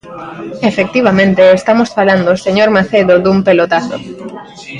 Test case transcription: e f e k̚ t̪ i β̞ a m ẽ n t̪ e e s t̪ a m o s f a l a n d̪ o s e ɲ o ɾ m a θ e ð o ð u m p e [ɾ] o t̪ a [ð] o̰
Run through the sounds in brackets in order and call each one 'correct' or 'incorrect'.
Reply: incorrect, incorrect

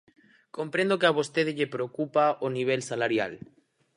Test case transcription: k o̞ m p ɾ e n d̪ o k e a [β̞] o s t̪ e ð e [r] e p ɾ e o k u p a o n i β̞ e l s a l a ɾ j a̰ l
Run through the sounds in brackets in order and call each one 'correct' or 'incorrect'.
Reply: correct, incorrect

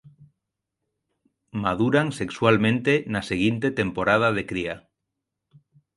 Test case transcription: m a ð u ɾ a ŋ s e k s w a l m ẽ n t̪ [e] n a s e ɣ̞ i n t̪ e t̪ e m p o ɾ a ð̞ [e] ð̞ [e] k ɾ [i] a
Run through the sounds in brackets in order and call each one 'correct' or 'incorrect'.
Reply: correct, incorrect, correct, correct

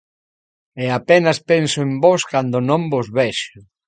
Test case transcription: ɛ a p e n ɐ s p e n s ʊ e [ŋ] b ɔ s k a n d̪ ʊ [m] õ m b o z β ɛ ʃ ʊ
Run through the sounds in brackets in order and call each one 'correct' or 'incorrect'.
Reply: incorrect, incorrect

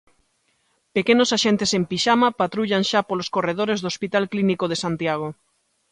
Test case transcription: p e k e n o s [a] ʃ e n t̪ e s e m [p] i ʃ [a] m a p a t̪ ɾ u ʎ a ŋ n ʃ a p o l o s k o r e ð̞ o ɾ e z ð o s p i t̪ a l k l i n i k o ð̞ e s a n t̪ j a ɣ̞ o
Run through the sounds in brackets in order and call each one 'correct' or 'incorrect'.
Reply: correct, correct, correct

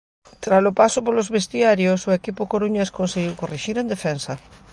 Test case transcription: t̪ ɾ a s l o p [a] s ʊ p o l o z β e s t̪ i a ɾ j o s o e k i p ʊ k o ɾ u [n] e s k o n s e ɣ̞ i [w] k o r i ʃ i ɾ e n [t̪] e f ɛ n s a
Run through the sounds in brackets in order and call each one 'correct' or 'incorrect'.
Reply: correct, incorrect, correct, incorrect

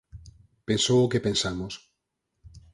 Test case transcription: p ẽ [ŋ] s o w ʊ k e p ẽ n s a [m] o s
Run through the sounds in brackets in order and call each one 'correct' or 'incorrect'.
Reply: incorrect, correct

